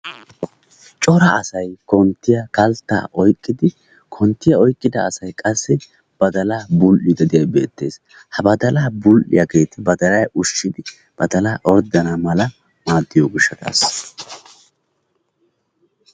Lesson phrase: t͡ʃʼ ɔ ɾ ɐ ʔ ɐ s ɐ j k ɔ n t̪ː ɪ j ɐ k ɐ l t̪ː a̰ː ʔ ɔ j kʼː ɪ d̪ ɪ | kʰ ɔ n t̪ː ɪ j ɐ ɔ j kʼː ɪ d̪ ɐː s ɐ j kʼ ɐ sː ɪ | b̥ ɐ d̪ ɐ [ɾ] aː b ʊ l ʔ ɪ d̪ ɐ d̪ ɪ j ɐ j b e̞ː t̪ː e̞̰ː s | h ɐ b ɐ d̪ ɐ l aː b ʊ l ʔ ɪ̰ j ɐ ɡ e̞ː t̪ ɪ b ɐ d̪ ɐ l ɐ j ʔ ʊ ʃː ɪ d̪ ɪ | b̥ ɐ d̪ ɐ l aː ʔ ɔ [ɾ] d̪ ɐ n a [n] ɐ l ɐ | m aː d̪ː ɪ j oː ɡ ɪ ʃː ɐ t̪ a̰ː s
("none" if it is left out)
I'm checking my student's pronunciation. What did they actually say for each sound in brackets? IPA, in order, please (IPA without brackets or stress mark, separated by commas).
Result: l, ɾ, m